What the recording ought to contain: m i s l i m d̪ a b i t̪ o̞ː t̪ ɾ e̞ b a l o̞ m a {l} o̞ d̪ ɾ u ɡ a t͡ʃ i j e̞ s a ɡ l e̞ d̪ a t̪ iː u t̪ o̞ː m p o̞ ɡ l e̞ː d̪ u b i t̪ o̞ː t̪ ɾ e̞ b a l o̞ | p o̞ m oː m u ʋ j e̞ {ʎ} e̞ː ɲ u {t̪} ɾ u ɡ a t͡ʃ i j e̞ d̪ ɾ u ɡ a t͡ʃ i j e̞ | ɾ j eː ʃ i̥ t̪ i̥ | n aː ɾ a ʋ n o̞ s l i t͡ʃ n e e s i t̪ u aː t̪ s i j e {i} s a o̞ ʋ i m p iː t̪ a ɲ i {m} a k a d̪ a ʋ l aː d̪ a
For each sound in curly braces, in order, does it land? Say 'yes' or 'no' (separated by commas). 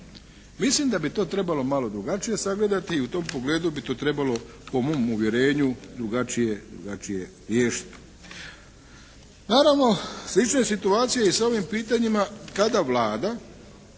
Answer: yes, no, no, yes, yes